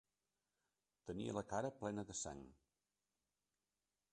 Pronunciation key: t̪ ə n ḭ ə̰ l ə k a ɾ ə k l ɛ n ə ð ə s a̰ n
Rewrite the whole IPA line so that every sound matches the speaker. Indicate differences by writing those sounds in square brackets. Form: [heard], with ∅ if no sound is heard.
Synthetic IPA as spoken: t̪ ə n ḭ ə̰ l ə k a ɾ ə [p] l ɛ n ə ð ə s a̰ [ŋ]